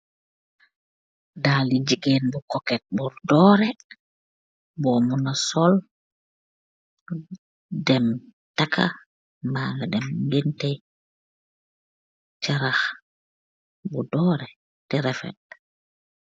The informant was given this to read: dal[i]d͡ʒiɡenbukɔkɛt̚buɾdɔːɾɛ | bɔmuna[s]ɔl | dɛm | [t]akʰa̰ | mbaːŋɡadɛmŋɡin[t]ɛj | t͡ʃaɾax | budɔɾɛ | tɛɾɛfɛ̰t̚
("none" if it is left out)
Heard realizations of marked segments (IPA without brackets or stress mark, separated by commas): i, s, t, t